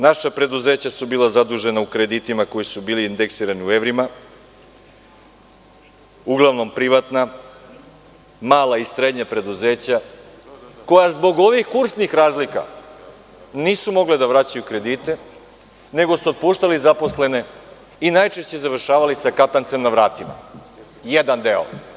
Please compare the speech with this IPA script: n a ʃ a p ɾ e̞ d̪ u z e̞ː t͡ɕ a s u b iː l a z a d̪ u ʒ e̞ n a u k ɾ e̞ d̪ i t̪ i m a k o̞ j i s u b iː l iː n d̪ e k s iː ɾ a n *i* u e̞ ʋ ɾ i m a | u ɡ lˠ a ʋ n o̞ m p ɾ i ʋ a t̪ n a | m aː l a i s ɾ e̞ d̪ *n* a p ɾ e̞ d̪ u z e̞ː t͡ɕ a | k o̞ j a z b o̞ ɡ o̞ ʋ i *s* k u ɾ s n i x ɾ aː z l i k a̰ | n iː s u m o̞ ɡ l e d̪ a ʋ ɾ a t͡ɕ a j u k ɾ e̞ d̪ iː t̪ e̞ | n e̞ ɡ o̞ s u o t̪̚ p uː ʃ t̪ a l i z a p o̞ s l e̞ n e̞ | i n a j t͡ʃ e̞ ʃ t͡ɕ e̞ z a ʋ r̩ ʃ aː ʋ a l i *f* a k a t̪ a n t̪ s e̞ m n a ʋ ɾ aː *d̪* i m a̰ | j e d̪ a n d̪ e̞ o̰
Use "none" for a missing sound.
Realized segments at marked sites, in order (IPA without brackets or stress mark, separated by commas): i, ɲ, x, s, t̪